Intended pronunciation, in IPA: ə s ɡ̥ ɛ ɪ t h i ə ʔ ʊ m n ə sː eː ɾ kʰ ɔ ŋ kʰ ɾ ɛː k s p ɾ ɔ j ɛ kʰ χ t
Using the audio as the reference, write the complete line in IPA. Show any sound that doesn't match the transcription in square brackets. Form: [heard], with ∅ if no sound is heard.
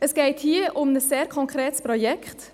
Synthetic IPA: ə s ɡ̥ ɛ ɪ t h i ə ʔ ʊ m n ə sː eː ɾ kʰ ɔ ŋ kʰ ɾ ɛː [t] s p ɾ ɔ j ɛ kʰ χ t